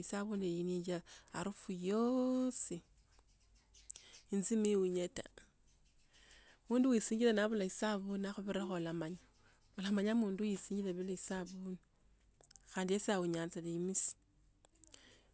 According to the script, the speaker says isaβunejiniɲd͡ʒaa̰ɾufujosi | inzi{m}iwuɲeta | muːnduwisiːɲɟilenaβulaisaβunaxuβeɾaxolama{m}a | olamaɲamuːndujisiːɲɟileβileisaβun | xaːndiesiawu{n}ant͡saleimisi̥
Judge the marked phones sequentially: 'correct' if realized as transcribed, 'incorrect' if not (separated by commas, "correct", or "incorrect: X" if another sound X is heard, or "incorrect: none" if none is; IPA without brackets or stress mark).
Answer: correct, incorrect: ɲ, incorrect: ɲ